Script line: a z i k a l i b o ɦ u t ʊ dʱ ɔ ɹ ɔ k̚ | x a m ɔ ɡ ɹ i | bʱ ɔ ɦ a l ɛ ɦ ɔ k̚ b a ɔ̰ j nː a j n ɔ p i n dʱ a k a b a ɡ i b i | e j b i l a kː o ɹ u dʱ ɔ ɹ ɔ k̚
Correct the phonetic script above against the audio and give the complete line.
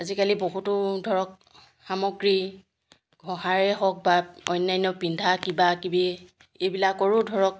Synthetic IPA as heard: a z i k a l i b o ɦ u t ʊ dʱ ɔ ɹ ɔ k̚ | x a m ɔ ɡ ɹ i | ɡʱ ɔ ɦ a ɹ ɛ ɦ ɔ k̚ b a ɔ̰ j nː a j n ɔ p i n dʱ a k i b a k i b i | e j b i l a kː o ɹ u dʱ ɔ ɹ ɔ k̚